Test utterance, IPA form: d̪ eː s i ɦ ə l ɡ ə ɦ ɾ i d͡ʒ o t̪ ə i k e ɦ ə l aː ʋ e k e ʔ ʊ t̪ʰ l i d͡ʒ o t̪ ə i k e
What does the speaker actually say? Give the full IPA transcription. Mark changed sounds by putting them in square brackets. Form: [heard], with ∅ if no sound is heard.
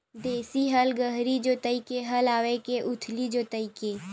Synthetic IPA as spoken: d̪ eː s i ɦ ə l ɡ ə ɦ ɾ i d͡ʒ o t̪ ə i k e ɦ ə l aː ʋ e k e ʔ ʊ t̪ʰ l i d͡ʒ o t̪ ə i k e